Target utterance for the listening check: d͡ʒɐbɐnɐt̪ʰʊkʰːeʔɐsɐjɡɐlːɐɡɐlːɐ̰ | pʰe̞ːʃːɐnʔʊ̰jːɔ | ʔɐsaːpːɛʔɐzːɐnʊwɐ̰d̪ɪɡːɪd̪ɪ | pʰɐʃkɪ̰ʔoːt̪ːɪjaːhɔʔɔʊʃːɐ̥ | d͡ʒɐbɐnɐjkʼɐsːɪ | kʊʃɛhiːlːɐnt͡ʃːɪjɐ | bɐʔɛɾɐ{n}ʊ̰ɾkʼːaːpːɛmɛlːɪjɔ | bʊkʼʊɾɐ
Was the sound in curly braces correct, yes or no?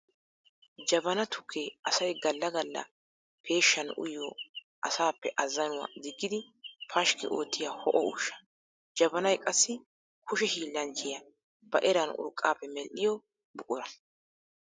yes